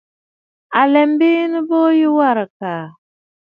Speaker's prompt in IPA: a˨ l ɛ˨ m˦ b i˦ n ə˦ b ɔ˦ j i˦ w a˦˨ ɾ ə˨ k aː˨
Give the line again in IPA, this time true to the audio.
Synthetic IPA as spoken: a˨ l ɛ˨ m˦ b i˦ n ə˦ b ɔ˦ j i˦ w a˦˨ ɾ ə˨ k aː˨